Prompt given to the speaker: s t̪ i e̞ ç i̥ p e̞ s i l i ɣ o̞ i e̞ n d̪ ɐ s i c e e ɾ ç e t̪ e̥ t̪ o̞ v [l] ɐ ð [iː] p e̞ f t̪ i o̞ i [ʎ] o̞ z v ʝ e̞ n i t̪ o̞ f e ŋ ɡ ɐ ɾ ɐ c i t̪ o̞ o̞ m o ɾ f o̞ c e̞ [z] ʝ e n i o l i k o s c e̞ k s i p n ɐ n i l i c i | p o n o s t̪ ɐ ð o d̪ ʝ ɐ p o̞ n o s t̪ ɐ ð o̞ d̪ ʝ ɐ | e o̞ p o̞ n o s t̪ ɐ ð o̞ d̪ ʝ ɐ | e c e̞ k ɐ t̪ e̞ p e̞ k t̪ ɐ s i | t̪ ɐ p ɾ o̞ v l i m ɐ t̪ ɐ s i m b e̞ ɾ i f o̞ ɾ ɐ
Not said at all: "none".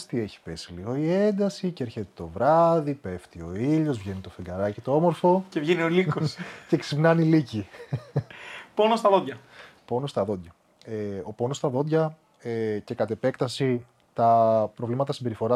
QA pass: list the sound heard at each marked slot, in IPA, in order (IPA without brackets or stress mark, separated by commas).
ɾ, i, ʎ, v